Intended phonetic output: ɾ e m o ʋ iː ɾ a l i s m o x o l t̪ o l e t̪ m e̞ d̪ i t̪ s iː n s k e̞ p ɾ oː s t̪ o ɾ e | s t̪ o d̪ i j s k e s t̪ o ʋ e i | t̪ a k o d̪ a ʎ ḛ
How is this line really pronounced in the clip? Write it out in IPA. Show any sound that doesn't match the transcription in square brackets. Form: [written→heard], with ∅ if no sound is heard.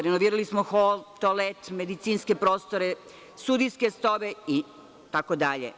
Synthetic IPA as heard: ɾ e [m→n] o ʋ iː ɾ a l i s m o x o l t̪ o l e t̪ m e̞ d̪ i t̪ s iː n s k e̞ p ɾ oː s t̪ o ɾ e | s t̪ [o→u] d̪ i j s k e s t̪ o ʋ e i | t̪ a k o d̪ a ʎ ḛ